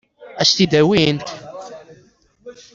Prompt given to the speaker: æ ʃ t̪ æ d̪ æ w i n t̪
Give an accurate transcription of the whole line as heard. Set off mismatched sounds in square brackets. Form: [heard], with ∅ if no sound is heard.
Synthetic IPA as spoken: æ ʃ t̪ [i] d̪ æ w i n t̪